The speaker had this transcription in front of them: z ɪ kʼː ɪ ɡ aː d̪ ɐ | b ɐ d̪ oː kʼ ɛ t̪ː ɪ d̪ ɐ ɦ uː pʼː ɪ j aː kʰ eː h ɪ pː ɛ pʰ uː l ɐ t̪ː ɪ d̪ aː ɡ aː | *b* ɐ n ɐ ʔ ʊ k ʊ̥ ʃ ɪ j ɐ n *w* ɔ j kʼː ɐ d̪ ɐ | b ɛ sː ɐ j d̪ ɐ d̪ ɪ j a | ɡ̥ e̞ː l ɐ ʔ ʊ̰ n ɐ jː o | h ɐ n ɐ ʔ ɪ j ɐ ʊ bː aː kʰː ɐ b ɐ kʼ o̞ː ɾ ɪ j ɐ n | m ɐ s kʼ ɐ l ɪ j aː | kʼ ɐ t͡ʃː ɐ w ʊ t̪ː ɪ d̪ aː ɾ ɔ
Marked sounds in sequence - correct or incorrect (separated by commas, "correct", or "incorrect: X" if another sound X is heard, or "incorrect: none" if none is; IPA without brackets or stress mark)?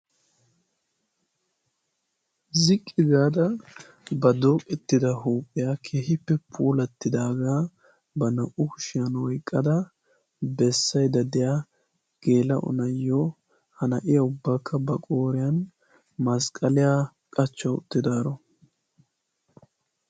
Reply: correct, correct